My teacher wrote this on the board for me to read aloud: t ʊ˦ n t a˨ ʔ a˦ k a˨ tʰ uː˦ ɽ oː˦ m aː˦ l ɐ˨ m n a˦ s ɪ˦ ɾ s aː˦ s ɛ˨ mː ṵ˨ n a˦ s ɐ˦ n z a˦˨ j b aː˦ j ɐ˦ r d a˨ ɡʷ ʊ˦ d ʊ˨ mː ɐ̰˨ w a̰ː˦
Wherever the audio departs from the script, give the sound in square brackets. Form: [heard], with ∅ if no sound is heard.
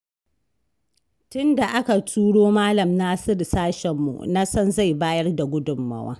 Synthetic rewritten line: t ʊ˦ n [d] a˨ ʔ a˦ k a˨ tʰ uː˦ ɽ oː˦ m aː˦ l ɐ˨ m n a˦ s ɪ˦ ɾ s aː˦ [ʃ] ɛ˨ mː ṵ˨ n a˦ s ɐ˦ n z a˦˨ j b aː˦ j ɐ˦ r d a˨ ɡʷ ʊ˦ d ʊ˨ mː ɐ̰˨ w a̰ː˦